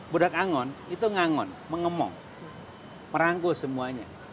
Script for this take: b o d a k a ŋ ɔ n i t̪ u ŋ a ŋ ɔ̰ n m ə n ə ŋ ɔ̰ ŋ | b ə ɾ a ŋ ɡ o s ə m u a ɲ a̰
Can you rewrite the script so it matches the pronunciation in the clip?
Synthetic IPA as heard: b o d a k a ŋ ɔ n i t̪ u ŋ a ŋ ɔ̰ n m ə ŋ ə m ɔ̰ ŋ | m ə ɾ a ŋ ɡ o s ə m u a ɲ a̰